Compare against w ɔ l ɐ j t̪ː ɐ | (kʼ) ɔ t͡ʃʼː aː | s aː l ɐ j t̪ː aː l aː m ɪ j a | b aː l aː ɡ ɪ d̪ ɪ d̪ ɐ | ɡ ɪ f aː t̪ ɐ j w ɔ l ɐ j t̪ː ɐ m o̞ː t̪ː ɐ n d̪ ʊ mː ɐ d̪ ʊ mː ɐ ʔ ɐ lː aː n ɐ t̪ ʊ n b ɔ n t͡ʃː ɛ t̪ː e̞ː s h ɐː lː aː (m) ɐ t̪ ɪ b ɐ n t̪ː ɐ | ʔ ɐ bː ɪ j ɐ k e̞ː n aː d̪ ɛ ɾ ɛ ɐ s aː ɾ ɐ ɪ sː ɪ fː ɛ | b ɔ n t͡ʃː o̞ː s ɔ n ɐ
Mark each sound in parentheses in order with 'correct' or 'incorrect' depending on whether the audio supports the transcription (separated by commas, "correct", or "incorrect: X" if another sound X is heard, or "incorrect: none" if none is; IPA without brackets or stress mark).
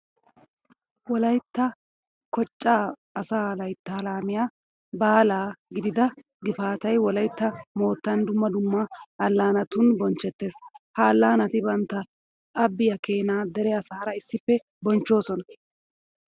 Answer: incorrect: k, incorrect: n